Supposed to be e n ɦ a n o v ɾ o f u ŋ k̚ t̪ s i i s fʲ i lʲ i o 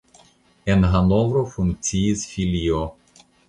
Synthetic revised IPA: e n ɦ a n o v ɾ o f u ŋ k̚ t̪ s i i s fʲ i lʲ i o

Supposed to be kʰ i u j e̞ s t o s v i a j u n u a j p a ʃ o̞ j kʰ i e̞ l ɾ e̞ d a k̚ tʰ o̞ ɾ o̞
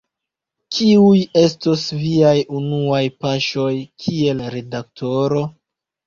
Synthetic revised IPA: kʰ i u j e̞ s t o s v i a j u n u a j p a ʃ o̞ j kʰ i e̞ l ɾ e̞ d a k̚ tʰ o̞ ɾ o̞

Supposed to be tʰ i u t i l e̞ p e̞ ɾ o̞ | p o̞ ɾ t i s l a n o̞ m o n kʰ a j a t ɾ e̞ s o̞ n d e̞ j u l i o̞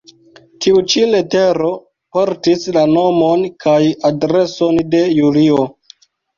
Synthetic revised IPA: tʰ i u t͡ʃ i l e̞ t e̞ ɾ o̞ | p o̞ ɾ t i s l a n o̞ m o n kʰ a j a d ɾ e̞ s o̞ n d e̞ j u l i o̞

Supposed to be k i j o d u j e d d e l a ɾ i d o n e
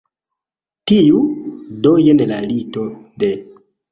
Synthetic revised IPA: t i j u d o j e n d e l a l i t o d e

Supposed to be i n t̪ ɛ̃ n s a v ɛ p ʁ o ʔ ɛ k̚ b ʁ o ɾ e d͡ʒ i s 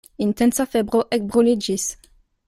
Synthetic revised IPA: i n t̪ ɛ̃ n s a f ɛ b ʁ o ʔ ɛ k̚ b ʁ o l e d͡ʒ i s

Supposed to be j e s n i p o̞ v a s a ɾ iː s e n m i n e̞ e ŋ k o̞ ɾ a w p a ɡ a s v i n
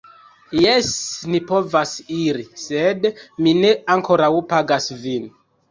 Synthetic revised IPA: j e s n i p o̞ v a s i ɾ i s e d m i n e̞ a ŋ k o̞ ɾ a w p a ɡ a s v i n

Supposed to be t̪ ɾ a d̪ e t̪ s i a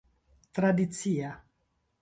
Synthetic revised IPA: t̪ ɾ a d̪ i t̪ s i a

